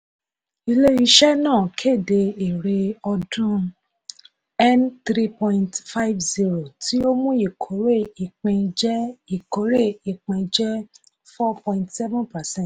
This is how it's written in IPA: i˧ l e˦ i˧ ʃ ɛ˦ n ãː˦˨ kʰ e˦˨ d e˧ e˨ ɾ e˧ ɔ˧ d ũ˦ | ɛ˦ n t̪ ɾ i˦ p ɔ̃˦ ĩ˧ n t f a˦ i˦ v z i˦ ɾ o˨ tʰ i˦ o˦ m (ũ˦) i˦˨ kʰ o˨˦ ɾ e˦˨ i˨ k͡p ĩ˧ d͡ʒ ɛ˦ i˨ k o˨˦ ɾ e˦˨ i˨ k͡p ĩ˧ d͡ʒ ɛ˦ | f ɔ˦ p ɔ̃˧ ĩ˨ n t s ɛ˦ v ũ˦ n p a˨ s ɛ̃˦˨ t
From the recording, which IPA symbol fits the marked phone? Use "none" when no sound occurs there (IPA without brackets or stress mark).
ũ˦